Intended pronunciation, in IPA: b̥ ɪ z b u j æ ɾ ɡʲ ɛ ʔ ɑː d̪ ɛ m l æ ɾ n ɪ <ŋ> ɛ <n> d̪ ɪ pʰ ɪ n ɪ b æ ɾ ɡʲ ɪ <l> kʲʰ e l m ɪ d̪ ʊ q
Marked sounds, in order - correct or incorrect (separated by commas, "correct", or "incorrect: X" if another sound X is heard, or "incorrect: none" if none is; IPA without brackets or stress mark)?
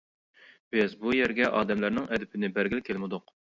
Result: correct, incorrect: none, correct